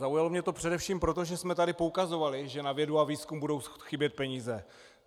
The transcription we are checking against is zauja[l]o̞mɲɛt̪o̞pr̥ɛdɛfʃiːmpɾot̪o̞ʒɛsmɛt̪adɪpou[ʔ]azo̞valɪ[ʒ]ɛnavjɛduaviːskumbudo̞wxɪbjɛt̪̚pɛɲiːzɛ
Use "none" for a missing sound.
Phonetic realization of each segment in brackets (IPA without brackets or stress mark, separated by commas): l, k, ʒ